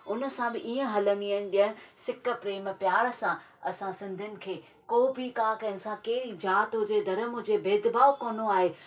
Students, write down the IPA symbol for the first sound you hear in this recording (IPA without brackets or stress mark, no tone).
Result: ʊ